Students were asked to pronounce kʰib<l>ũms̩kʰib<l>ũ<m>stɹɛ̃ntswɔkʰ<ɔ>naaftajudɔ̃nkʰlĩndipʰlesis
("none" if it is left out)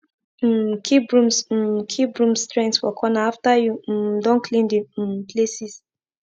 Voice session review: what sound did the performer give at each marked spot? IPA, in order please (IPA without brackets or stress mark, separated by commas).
ɹ, ɹ, m, ɔ